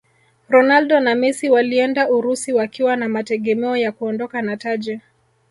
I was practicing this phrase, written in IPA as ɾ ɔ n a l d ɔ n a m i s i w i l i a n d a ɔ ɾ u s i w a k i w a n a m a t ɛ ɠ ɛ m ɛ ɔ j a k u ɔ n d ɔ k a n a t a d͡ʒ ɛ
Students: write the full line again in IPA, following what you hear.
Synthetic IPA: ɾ ɔ n a l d ɔ n a m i s i w a l i ɛ n d a u ɾ u s i w a k i w a n a m a t ɛ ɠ ɛ m ɛ ɔ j a k u ɔ n d ɔ k a n a t a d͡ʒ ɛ